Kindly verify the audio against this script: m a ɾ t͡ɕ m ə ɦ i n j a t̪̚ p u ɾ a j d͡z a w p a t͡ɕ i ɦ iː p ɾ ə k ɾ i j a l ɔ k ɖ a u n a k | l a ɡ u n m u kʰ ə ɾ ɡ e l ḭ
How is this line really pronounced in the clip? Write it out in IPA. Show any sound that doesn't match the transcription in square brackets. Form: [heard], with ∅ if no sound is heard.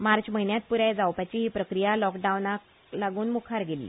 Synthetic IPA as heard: m a ɾ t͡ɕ m ə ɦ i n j a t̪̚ p u ɾ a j d͡z a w p a t͡ɕ i ɦ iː p ɾ ə k ɾ i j a l ɔ k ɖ a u n a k | l a ɡ [uː] n m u kʰ [a] ɾ ɡ e l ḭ